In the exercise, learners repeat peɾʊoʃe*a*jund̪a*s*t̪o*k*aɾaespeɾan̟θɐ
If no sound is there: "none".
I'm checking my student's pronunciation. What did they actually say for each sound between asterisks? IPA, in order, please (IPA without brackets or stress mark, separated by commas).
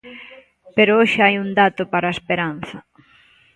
a, none, p